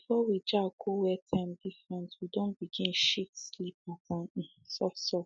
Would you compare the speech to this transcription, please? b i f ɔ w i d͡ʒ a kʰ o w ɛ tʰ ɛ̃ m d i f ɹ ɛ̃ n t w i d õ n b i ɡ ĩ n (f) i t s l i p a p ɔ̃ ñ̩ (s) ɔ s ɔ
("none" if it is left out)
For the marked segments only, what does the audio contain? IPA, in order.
ʃ, s

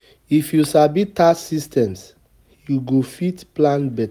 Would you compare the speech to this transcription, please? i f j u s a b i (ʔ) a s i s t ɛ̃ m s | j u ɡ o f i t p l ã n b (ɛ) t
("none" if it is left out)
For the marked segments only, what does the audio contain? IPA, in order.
t, ɛ

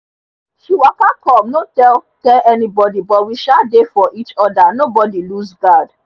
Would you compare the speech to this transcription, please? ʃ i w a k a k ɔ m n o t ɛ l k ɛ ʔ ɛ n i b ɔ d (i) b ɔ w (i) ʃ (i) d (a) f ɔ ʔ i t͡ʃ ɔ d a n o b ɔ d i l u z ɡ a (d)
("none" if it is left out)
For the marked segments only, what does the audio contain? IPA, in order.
i, i, a, e, d

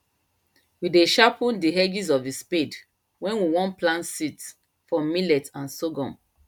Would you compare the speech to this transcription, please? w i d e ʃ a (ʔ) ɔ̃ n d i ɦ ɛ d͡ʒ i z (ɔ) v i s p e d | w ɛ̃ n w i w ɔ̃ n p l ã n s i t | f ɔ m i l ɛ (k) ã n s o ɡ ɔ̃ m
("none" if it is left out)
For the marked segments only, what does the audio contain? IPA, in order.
p, ɔ, t

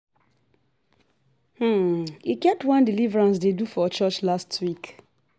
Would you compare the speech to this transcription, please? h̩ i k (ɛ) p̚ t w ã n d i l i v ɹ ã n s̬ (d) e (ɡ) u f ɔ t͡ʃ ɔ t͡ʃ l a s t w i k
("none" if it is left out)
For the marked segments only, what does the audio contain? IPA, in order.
ɛ, d, d

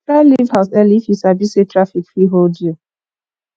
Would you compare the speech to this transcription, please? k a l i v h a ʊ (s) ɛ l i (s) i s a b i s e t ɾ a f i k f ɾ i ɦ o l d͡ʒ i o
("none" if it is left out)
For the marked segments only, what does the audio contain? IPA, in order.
s, f

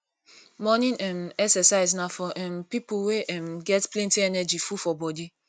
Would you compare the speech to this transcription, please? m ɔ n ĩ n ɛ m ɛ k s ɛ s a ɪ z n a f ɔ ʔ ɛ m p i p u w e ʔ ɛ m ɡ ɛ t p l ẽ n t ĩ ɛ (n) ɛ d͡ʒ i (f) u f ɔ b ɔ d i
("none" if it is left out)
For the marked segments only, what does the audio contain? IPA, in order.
n, f

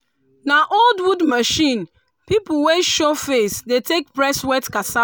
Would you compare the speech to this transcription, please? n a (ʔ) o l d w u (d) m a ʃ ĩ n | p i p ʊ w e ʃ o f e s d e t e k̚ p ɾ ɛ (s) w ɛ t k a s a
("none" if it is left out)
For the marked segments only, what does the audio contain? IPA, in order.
ʔ, d, s

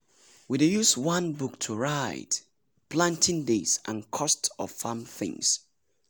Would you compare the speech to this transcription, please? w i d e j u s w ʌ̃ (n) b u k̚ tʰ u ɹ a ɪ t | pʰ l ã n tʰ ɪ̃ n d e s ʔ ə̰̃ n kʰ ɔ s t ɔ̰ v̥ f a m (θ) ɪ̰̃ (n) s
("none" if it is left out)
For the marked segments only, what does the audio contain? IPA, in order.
n, θ, ŋ

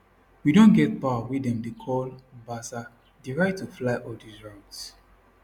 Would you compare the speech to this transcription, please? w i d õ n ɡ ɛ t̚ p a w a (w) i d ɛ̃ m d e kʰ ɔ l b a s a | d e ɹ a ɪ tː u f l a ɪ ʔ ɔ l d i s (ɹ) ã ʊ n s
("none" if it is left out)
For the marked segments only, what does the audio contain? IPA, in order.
w, ɹ

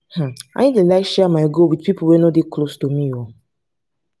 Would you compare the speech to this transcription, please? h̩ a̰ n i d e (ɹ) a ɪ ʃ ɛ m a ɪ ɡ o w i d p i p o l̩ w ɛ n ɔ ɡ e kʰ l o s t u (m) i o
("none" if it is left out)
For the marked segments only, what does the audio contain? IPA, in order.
l, m

